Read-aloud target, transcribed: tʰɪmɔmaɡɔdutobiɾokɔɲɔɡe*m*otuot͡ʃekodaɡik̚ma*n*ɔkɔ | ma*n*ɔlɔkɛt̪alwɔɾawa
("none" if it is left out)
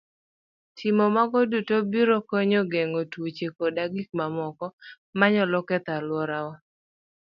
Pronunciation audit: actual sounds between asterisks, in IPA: ŋ, m, ɲ

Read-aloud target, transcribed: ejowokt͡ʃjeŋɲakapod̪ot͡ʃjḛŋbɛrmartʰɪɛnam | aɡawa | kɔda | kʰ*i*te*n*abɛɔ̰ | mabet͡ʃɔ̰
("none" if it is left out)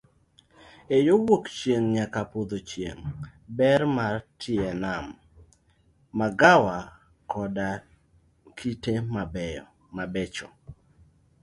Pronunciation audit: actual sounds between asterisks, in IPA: i, m

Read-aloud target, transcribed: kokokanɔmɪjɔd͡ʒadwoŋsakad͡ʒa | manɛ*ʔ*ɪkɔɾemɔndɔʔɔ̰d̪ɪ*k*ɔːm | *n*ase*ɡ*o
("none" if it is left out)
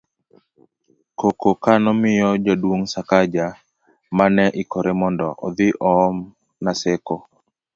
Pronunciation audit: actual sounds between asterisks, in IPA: ʔ, ʔ, n, k

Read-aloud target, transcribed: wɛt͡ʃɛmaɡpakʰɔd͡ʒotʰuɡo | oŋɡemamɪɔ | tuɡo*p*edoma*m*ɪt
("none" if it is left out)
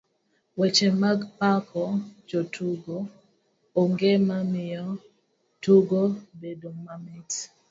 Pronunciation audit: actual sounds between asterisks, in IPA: b, m

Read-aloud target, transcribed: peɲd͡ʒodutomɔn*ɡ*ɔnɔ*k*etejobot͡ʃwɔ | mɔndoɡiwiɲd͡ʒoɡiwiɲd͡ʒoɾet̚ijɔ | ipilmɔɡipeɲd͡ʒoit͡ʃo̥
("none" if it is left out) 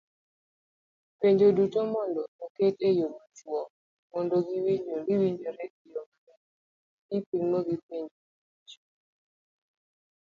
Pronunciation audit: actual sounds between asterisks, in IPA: d, k

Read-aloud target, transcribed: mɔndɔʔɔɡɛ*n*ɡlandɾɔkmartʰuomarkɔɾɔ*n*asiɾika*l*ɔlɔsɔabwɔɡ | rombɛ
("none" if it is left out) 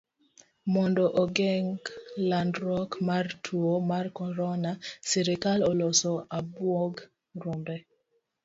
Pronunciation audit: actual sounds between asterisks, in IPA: ŋ, n, l

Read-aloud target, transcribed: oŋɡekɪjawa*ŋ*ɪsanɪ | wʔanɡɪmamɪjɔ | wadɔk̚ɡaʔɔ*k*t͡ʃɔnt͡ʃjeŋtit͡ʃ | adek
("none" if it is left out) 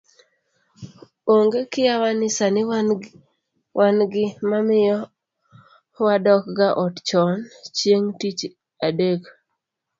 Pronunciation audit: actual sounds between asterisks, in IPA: n, t

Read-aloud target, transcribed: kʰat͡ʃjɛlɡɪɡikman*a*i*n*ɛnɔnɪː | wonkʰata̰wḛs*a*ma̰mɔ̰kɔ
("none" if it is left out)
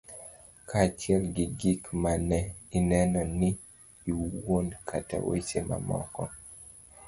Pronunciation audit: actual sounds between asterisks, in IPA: ɛ, n, e

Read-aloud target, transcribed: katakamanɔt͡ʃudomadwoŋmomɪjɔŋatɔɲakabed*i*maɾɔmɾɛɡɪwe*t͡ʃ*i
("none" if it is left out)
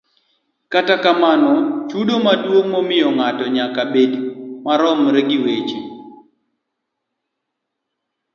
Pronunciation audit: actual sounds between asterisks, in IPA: i, t͡ʃ

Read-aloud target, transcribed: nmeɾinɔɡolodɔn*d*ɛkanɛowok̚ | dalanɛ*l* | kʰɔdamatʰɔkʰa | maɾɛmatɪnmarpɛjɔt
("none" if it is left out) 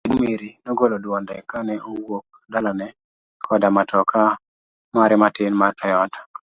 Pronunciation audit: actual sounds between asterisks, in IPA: d, none

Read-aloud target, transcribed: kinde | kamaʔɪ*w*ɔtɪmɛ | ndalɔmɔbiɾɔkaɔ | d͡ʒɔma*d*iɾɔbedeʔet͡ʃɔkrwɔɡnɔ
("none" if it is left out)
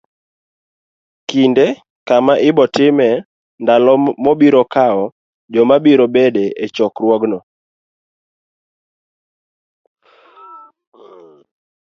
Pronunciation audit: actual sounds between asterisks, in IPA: b, b

